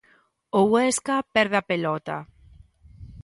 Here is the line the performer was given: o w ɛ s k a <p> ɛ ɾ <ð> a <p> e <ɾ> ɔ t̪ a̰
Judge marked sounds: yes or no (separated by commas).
yes, yes, yes, no